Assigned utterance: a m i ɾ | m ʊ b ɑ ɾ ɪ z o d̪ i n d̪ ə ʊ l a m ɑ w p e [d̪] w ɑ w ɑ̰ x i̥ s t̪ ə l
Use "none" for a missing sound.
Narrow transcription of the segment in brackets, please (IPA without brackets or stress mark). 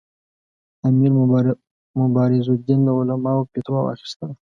t̪